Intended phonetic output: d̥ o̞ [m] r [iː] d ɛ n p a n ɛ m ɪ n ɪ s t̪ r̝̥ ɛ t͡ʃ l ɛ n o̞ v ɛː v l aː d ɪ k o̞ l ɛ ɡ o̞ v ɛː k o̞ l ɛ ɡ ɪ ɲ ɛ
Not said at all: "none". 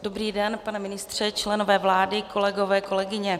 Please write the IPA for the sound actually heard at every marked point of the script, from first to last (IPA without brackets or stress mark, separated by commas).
b, iː